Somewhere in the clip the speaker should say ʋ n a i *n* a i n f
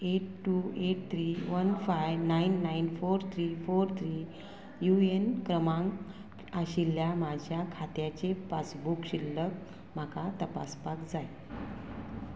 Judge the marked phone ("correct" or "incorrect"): incorrect